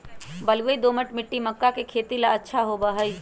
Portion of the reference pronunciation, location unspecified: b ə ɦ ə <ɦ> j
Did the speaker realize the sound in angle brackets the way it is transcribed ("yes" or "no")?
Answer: no